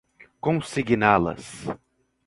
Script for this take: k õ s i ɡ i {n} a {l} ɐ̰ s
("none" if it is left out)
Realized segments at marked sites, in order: n, l

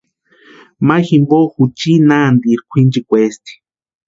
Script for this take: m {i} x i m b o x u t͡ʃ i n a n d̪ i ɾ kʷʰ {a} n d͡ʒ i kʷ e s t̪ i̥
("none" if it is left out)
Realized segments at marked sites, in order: a, i

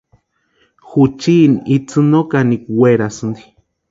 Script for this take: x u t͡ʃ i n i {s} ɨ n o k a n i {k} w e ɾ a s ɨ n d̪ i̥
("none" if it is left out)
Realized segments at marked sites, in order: t͡s, k

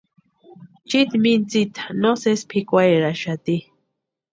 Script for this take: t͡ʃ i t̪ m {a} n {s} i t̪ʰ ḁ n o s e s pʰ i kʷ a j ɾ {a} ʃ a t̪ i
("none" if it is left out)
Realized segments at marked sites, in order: i, t͡s, a

